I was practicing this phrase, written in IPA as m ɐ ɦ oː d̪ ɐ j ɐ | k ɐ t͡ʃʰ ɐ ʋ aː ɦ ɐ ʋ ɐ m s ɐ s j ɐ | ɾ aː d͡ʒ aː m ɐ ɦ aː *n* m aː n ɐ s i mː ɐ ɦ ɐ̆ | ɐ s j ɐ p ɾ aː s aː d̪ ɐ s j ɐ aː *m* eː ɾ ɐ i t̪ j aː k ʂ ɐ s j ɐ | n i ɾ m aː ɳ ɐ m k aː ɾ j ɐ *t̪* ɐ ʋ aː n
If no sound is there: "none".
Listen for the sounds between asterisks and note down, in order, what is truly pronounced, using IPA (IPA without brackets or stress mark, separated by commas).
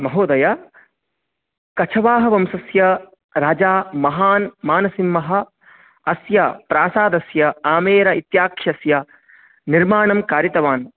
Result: n, m, t̪